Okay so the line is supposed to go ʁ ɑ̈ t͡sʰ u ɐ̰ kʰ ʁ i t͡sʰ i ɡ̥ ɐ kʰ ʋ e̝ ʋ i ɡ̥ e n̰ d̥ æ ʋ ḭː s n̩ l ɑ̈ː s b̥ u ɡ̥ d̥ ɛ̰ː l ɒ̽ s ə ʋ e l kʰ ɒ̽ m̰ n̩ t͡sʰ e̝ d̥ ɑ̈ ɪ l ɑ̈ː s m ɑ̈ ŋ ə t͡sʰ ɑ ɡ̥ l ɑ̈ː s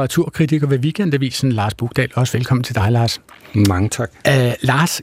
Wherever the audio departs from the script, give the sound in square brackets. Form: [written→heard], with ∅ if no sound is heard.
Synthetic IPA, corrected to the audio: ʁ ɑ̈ t͡sʰ u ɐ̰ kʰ ʁ i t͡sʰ i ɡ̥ ɐ [kʰ→∅] ʋ e̝ ʋ i ɡ̥ e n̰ d̥ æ ʋ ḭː s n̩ l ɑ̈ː s b̥ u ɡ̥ d̥ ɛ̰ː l ɒ̽ s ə ʋ e l kʰ ɒ̽ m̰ n̩ t͡sʰ e̝ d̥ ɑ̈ ɪ l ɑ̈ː s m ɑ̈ ŋ ə t͡sʰ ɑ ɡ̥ l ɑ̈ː s